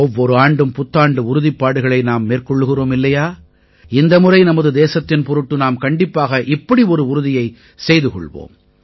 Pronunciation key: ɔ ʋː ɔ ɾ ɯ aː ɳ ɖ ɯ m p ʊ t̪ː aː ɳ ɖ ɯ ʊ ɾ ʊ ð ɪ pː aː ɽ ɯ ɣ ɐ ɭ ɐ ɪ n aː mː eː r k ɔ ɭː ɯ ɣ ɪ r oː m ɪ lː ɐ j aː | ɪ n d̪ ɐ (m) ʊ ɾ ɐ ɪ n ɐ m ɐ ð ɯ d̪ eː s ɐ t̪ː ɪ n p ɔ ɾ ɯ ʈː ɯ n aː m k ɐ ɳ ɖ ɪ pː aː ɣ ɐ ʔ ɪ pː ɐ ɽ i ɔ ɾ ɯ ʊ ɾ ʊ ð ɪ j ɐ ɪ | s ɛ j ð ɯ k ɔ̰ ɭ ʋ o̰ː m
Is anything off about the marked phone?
no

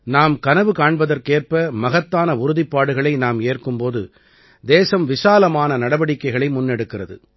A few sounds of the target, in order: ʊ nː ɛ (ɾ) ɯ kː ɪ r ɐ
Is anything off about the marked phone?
yes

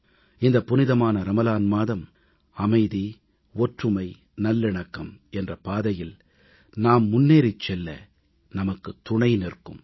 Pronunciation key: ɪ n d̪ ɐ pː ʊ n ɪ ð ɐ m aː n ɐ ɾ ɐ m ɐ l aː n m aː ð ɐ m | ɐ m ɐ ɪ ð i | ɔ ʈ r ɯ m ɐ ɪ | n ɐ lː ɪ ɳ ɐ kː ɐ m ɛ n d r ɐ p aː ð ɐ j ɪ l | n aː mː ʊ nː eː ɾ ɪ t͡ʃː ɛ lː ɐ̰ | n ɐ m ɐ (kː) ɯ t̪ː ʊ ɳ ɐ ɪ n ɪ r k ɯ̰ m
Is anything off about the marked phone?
no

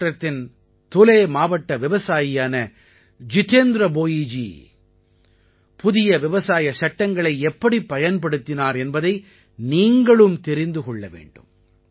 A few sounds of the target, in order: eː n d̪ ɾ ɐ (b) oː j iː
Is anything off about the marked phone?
no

